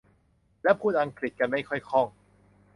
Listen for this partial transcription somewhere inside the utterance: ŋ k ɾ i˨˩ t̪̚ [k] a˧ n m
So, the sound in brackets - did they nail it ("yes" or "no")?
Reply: yes